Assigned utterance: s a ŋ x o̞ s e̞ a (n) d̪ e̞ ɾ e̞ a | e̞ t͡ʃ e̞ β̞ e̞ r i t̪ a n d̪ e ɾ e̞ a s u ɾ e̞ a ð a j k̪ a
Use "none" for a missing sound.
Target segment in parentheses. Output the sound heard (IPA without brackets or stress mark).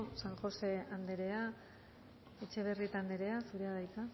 n